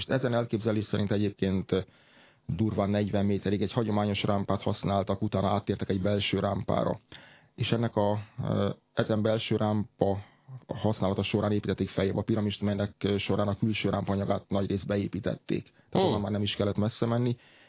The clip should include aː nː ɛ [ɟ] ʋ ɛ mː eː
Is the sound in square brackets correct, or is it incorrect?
correct